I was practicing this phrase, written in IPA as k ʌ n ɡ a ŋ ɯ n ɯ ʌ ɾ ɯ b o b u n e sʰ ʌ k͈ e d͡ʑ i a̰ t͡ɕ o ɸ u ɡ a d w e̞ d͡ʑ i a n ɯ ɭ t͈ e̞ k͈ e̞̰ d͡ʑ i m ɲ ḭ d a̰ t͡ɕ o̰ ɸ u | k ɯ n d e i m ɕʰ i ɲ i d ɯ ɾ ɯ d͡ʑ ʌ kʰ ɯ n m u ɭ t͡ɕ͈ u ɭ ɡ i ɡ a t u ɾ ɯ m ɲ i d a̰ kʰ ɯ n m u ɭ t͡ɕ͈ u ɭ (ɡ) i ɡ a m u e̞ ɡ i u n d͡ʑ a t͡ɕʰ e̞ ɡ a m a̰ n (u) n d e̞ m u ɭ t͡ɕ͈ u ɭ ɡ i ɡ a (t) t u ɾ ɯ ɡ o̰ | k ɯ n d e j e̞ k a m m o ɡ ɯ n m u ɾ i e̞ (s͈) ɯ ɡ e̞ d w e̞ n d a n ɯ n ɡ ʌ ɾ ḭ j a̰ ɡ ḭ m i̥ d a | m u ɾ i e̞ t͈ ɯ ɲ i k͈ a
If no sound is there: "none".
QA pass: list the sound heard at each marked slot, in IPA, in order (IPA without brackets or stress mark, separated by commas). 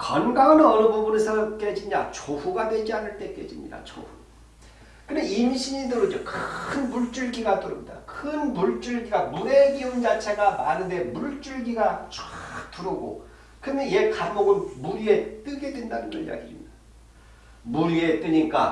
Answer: ɡ, ɯ, t͡ɕ, t͈